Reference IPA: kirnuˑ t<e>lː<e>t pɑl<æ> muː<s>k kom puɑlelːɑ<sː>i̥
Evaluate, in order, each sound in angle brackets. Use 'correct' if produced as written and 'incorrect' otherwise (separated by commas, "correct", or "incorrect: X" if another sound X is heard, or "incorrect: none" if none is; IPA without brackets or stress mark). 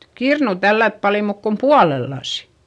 incorrect: æ, incorrect: æ, incorrect: i, incorrect: none, incorrect: s